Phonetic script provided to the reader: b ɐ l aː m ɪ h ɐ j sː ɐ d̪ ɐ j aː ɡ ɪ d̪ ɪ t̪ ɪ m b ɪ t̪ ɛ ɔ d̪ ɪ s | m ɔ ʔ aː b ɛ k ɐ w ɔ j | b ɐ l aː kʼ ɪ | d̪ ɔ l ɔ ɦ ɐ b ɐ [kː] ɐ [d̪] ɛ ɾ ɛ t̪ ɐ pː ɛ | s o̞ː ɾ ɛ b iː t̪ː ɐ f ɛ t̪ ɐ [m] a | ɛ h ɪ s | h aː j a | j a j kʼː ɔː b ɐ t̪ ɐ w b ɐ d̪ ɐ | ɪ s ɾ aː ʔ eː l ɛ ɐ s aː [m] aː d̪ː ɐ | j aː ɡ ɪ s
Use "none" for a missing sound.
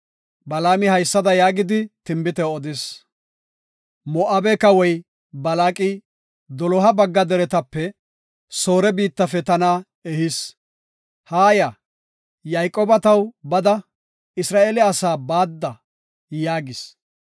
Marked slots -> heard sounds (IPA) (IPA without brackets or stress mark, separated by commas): ɡː, d̪, n, b